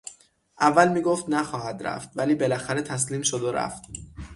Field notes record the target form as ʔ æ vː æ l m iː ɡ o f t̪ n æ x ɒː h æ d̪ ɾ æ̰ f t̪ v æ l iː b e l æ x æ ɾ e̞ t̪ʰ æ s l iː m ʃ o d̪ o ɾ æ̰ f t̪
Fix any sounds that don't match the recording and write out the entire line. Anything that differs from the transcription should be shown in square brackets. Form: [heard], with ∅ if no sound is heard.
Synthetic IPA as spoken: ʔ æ vː æ l m iː ɡ o f t̪ n æ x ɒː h æ d̪ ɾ æ̰ f t̪ v æ l iː b e l æ x æ ɾ e̞ t̪ʰ æ s l iː m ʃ o d̪ o ɾ æ̰ f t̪

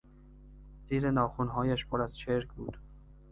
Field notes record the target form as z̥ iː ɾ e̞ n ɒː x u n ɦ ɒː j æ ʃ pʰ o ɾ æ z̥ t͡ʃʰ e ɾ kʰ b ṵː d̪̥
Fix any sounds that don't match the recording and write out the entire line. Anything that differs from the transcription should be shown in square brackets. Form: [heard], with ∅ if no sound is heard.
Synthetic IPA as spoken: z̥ iː ɾ e̞ n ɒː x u n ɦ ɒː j æ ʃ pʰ o ɾ æ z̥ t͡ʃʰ e ɾ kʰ b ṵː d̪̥

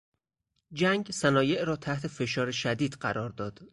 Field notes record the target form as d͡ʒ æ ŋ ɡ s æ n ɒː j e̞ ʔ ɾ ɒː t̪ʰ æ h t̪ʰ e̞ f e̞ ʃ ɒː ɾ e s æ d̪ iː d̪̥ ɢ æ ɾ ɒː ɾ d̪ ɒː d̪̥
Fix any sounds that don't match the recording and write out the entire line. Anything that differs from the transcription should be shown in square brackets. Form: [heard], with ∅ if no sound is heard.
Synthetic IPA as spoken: d͡ʒ æ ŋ ɡ s æ n ɒː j e̞ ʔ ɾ ɒː t̪ʰ æ h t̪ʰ e̞ f e̞ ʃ ɒː ɾ e [ʃ] æ d̪ iː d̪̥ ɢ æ ɾ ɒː ɾ d̪ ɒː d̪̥

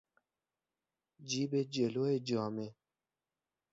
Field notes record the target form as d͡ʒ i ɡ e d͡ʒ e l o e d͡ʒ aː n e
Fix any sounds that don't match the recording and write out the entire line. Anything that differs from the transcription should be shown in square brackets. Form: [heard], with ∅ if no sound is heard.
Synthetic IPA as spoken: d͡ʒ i [b] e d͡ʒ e l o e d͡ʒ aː [m] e

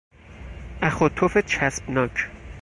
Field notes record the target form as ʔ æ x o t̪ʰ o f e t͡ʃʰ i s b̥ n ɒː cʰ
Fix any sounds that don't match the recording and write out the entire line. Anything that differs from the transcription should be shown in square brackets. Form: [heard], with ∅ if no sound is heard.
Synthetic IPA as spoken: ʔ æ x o t̪ʰ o f e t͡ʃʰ [æ] s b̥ n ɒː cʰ

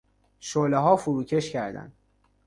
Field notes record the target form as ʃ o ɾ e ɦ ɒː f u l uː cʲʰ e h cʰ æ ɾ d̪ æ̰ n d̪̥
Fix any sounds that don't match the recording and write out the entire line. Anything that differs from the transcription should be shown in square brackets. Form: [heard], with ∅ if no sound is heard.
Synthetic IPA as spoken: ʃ o [l] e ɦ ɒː f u [ɾ] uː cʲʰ e [ʃ] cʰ æ ɾ d̪ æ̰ n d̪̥

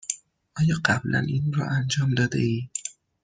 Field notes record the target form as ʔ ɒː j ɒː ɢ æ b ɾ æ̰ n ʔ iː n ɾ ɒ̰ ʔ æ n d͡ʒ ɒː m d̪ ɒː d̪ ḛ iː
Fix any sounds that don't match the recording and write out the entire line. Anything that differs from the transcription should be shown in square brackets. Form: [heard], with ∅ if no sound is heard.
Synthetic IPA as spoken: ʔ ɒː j ɒː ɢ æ b [l] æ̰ n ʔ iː n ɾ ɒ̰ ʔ æ n d͡ʒ ɒː m d̪ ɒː d̪ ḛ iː

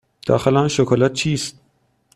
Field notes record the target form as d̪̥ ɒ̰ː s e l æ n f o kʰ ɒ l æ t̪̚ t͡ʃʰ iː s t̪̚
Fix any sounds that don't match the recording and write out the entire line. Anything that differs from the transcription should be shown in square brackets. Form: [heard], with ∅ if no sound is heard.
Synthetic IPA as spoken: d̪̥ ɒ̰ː [x] e l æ n [ʃ] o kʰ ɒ l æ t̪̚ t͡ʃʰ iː s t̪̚

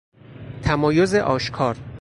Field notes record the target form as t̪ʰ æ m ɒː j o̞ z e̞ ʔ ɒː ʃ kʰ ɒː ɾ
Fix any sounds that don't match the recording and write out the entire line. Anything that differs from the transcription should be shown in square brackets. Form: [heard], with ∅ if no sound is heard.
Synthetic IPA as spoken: t̪ʰ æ m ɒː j o̞ z e̞ ʔ ɒː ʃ kʰ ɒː ɾ

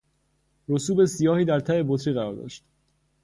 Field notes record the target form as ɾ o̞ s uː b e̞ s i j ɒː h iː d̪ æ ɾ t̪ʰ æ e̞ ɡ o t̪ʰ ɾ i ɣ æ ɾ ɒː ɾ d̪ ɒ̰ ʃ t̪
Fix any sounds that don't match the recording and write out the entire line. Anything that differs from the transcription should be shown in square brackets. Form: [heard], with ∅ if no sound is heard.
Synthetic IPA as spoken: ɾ o̞ s uː b e̞ s i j ɒː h iː d̪ æ ɾ t̪ʰ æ e̞ [b] o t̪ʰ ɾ i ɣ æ ɾ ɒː ɾ d̪ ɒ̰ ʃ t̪

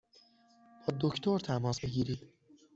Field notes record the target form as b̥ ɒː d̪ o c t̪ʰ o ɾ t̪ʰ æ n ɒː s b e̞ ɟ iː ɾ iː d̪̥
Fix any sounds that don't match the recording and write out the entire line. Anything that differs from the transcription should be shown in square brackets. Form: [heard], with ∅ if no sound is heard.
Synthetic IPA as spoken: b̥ ɒː d̪ o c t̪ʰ o ɾ t̪ʰ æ [m] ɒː s b e̞ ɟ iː ɾ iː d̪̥

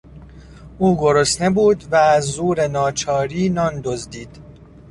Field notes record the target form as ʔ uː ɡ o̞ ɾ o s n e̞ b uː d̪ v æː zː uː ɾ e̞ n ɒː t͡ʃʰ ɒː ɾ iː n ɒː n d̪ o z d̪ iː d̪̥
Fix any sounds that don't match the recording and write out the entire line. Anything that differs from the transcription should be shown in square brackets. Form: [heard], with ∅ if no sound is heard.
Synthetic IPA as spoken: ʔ uː ɡ o̞ ɾ o s n e̞ b uː d̪ v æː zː uː ɾ e̞ n ɒː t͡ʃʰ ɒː ɾ iː n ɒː n d̪ o z d̪ iː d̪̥

